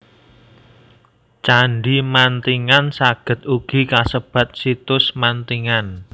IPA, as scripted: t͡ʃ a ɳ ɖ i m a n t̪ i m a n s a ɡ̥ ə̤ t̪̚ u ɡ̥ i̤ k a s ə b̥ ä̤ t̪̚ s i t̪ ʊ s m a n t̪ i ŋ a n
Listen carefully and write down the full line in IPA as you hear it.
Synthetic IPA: t͡ʃ a ɳ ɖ i m a n t̪ i ŋ a n s a ɡ̥ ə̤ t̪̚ u ɡ̥ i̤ k a s ə b̥ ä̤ t̪̚ s i t̪ ʊ s m a n t̪ i ŋ a n